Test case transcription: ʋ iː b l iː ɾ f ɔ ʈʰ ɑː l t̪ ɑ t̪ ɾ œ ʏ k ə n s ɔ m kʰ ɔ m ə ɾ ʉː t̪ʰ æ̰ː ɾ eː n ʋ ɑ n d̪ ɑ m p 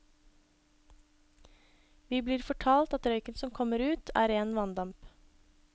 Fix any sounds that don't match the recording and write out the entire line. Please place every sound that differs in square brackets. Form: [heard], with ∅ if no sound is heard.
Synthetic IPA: ʋ iː b l iː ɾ f ɔ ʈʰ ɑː l t̪ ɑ t̪ ɾ œ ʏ k ə n s ɔ m kʰ ɔ m ə ɾ ʉː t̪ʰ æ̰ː ɾ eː n ʋ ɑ n d̪ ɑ m p

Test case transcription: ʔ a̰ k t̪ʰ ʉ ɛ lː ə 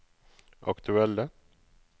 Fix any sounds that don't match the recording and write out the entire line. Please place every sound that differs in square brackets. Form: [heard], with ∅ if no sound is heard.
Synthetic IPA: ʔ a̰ k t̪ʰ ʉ ɛ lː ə

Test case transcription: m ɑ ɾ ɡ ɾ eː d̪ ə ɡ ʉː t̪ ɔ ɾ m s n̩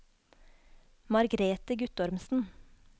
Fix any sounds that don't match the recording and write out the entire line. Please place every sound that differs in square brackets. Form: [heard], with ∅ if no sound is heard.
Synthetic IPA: m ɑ ɾ ɡ ɾ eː [t̪] ə ɡ [ʉ] t̪ ɔ ɾ m s n̩

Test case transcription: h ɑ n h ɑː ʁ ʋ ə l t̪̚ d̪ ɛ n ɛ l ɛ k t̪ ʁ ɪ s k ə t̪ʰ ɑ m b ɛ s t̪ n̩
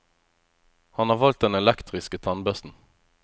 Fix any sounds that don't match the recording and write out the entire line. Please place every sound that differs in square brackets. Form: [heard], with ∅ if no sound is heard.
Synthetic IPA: h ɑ n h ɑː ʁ ʋ [ɑ] l t̪̚ d̪ ɛ n ɛ l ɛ k t̪ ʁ ɪ s k ə t̪ʰ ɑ [n] b [œ] s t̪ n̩

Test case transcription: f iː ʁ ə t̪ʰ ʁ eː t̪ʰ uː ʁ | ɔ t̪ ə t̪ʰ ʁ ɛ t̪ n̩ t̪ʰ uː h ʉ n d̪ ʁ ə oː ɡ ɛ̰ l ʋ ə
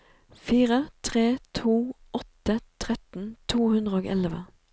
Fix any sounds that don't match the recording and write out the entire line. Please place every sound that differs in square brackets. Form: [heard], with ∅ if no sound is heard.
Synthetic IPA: f iː ʁ ə t̪ʰ ʁ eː t̪ʰ uː [∅] | ɔ t̪ ə t̪ʰ ʁ ɛ t̪ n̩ t̪ʰ uː h ʉ n d̪ ʁ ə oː ɡ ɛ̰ l ʋ ə

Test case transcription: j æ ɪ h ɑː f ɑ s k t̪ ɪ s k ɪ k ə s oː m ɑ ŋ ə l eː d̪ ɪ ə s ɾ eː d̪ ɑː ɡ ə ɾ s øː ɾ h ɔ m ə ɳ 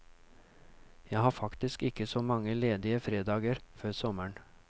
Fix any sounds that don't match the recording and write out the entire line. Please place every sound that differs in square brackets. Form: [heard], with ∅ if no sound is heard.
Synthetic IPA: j æ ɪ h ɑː f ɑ [∅] k t̪ ɪ s k ɪ k ə s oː m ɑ ŋ ə l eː d̪ ɪ ə [f] ɾ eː d̪ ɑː ɡ ə ɾ [f] øː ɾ [s] ɔ m ə ɳ

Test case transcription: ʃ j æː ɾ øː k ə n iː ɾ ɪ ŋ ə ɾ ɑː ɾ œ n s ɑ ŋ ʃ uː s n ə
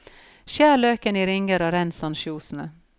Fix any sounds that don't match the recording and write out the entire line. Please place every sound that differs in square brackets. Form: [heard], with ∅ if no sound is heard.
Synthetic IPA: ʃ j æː [ɭ] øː k ə n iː ɾ ɪ ŋ ə ɾ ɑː ɾ [ɛ] n s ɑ [n] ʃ uː s n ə

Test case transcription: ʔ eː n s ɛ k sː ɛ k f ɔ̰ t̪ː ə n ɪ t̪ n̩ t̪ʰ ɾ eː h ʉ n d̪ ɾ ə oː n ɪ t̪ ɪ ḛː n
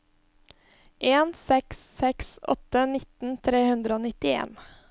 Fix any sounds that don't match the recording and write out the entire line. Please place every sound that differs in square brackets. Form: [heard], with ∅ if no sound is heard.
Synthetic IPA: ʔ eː n s ɛ k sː ɛ k [s] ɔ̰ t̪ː ə n ɪ t̪ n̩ t̪ʰ ɾ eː h ʉ n d̪ ɾ ə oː n ɪ t̪ ɪ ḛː n

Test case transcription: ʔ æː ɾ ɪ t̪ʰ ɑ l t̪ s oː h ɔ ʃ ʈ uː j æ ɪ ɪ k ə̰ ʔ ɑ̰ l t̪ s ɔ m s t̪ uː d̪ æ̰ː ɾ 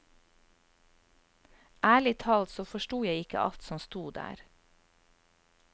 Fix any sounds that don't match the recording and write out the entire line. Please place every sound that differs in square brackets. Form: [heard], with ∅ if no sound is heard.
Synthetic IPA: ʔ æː [ɭ] ɪ t̪ʰ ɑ l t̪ s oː [f] ɔ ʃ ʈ uː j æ ɪ ɪ k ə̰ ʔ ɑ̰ l t̪ s ɔ m s t̪ uː d̪ æ̰ː ɾ

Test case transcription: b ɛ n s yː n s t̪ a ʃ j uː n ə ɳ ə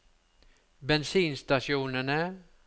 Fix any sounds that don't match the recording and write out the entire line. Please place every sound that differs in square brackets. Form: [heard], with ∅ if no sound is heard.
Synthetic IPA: b ɛ n s [iː] n s t̪ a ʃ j uː n ə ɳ ə

